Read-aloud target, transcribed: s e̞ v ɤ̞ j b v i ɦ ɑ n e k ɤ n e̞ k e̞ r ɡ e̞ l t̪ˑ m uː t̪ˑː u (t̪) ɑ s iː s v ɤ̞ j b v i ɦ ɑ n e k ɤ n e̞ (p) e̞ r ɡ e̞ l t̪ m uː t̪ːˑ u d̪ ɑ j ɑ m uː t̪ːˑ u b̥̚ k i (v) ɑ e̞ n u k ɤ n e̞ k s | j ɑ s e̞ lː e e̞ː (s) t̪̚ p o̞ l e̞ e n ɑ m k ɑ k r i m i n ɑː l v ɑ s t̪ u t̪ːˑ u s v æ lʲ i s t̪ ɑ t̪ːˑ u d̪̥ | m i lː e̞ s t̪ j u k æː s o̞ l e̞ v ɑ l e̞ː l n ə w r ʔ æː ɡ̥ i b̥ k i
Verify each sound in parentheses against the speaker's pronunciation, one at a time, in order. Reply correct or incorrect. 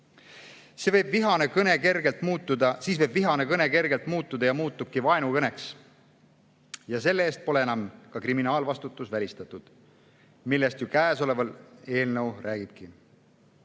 incorrect, incorrect, correct, correct

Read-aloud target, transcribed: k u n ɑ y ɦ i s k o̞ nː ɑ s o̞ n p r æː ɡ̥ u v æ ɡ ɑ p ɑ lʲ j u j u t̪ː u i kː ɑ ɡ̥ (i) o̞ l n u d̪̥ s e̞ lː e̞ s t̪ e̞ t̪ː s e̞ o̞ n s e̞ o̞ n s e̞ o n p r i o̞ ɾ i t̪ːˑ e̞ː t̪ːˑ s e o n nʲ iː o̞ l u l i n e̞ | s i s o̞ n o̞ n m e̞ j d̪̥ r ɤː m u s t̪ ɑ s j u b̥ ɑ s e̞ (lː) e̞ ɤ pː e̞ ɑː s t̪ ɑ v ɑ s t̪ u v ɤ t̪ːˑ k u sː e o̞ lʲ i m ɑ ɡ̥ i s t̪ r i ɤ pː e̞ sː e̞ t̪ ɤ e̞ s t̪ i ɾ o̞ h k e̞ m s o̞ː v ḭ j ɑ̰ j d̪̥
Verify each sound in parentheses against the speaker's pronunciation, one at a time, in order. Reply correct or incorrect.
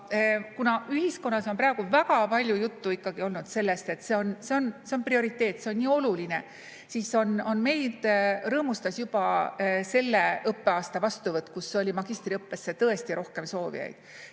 correct, correct

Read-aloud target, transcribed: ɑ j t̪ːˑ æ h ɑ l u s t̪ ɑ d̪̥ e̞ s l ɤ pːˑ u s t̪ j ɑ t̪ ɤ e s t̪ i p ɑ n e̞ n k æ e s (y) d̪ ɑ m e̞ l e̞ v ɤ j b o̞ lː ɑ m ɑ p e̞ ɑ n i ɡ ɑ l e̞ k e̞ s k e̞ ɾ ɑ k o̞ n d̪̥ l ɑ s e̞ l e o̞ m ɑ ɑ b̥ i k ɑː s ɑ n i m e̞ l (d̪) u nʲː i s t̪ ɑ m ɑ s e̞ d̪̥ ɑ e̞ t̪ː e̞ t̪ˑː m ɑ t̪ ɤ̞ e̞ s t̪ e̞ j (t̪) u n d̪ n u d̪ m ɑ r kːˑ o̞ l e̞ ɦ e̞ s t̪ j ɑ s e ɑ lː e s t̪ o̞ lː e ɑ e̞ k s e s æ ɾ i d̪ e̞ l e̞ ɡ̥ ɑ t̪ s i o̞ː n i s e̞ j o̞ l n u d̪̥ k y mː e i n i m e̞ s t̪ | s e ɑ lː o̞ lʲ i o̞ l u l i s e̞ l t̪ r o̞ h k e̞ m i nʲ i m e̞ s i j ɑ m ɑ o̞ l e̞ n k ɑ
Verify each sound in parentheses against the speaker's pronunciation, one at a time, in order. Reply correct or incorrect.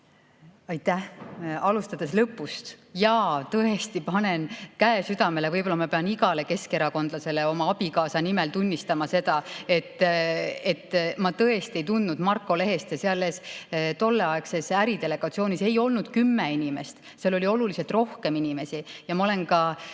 correct, incorrect, correct

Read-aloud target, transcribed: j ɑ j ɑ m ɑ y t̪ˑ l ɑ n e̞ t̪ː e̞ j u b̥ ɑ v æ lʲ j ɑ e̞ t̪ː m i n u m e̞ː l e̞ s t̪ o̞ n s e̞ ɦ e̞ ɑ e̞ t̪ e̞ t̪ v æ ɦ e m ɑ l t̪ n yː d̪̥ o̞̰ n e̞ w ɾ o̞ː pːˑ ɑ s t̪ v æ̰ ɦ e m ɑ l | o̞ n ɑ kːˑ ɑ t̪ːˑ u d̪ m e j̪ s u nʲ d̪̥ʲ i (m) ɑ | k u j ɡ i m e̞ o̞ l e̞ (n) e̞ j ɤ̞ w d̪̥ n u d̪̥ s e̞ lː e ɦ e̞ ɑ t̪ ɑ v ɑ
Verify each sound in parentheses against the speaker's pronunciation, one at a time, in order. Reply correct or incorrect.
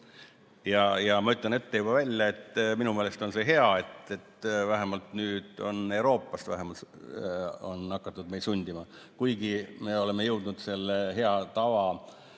correct, incorrect

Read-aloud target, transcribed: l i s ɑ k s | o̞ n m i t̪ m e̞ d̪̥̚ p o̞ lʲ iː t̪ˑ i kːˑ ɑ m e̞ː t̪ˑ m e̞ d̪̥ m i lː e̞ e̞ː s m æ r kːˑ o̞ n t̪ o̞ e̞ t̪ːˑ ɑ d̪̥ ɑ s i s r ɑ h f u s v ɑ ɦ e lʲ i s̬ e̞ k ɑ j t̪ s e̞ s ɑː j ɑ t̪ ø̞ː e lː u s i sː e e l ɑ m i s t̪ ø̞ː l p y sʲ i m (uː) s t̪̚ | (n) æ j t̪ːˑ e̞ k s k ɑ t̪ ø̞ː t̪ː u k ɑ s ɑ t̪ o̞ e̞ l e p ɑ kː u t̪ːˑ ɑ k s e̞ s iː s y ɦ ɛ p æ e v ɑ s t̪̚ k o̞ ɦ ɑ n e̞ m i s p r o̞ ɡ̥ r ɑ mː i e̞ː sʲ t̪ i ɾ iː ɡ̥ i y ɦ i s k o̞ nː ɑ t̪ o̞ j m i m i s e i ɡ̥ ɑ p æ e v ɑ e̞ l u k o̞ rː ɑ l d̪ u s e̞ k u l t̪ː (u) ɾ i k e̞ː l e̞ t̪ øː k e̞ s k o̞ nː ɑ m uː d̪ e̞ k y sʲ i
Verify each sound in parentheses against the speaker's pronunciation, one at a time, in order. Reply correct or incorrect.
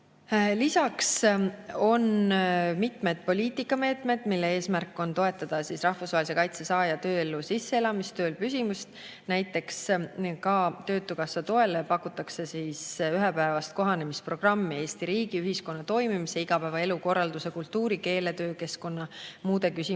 incorrect, correct, incorrect

